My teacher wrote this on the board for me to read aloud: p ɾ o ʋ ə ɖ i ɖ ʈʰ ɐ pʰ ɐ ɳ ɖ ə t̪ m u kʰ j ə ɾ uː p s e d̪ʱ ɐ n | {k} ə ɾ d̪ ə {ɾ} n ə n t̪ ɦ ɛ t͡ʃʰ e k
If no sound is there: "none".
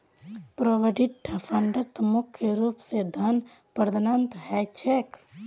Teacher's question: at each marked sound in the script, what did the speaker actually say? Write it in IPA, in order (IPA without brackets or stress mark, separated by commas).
p, none